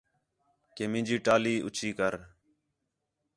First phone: k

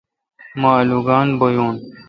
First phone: m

